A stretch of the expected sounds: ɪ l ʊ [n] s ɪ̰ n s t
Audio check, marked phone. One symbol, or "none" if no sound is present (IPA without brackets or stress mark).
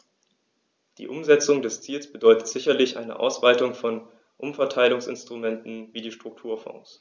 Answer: ŋ